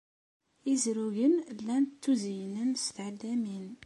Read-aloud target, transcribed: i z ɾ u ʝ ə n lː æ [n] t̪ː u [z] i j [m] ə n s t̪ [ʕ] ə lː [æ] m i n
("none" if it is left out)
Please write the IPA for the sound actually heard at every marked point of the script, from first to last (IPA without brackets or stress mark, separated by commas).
n, z, n, ʕ, æ